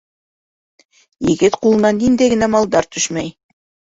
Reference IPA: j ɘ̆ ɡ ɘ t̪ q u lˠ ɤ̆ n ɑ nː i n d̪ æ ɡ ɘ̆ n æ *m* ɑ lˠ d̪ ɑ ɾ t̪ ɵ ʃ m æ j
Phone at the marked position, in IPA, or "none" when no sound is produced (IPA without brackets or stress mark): m